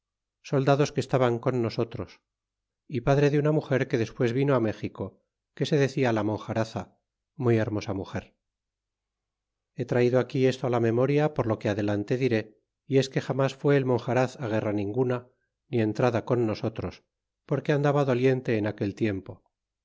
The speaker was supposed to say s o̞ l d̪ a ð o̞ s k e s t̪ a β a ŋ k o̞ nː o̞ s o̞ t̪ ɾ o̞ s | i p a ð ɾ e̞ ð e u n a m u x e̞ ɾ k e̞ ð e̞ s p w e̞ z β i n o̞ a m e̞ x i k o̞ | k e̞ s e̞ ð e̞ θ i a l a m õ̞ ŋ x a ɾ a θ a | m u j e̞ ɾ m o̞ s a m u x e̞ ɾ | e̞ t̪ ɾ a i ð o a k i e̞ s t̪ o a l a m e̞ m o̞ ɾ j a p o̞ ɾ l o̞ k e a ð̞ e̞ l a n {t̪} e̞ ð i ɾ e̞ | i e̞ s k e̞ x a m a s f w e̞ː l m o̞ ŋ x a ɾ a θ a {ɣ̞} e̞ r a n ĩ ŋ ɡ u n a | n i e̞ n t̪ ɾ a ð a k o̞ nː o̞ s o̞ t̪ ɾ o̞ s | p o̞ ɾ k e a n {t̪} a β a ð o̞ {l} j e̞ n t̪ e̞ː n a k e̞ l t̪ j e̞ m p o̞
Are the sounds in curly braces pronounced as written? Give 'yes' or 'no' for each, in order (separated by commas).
yes, yes, no, yes